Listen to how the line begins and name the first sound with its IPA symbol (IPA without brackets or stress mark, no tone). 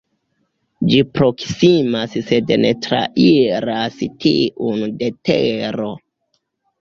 d͡ʒ